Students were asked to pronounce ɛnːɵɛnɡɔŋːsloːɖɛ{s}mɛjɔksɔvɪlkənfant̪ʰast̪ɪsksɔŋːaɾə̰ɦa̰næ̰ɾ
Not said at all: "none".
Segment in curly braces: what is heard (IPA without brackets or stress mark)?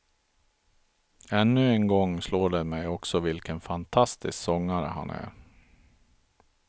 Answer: none